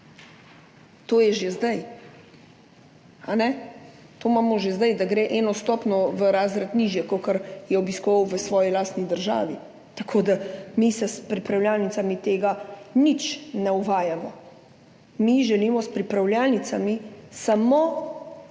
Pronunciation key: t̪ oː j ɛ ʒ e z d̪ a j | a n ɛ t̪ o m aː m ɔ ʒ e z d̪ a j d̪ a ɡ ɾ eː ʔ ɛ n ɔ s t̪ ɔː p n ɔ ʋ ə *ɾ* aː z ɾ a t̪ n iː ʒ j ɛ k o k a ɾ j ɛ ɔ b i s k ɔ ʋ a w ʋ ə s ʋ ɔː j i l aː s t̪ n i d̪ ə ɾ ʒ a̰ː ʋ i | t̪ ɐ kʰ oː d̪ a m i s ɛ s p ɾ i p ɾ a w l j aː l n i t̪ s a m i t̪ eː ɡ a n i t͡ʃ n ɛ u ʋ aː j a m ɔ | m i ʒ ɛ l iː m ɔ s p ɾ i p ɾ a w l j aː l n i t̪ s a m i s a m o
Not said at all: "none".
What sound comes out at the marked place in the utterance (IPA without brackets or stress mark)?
ɾ